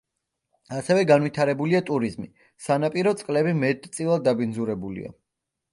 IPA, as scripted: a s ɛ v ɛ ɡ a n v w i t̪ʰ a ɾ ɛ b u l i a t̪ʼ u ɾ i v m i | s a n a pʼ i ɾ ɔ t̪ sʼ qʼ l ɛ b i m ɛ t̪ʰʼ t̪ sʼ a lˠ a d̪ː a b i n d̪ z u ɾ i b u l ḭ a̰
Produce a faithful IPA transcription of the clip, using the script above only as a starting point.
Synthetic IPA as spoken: a s ɛ v ɛ ɡ a n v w i t̪ʰ a ɾ ɛ b u l i a t̪ʼ u ɾ i z m i | s a n a pʼ i ɾ ɔ t̪ sʼ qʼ l ɛ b i m ɛ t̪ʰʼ t̪ sʼ i lˠ a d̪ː a b i n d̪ z u ɾ ɛ b u l ḭ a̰